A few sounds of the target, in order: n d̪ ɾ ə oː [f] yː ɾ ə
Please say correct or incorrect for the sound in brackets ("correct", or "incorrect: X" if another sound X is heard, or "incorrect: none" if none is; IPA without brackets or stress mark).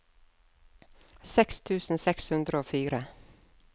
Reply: correct